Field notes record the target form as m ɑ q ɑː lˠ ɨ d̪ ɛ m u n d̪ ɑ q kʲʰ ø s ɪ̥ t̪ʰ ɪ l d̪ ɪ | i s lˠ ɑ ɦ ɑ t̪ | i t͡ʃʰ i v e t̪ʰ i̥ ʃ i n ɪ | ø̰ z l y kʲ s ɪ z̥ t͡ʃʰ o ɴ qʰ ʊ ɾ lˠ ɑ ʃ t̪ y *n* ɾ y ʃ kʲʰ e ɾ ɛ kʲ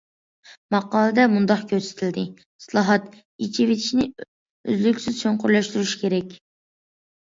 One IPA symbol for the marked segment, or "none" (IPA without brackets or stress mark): none